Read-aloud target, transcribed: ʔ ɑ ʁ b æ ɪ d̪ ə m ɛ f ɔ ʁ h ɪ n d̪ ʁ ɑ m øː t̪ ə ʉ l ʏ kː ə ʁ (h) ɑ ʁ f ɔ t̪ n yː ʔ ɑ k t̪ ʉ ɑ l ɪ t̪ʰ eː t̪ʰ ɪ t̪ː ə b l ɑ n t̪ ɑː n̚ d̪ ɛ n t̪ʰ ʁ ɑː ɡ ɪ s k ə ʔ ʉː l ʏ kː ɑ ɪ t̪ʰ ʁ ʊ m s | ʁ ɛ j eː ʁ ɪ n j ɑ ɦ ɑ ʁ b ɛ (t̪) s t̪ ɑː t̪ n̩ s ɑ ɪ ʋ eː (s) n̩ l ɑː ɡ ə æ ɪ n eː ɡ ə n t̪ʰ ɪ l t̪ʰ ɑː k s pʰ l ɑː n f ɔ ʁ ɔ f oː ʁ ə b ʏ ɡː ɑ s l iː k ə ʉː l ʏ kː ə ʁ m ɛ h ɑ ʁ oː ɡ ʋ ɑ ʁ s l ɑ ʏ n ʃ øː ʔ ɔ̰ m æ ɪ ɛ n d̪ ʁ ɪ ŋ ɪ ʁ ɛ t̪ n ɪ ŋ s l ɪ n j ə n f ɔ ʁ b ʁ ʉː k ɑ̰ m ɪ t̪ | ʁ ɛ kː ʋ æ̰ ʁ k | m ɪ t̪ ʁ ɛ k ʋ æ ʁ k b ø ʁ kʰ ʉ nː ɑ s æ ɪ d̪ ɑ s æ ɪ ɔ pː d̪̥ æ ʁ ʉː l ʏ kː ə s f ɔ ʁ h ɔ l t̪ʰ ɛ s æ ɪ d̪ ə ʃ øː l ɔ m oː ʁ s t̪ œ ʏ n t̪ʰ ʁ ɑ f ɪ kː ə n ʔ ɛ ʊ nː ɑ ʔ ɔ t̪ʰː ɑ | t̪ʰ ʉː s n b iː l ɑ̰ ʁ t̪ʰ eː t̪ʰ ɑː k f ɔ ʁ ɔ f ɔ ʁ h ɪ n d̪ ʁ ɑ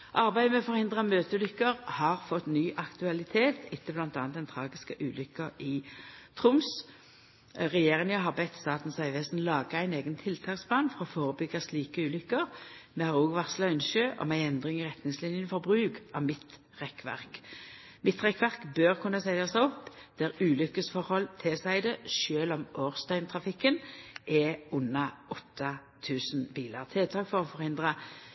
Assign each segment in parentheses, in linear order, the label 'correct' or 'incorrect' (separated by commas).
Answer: correct, correct, correct